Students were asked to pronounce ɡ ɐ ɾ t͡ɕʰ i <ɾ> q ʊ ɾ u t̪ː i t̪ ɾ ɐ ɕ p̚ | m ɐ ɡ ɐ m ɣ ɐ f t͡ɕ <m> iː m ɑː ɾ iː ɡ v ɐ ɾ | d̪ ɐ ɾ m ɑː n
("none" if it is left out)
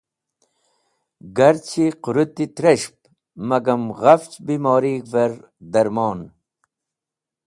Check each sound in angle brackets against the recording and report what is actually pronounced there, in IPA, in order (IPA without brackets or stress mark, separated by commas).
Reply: none, b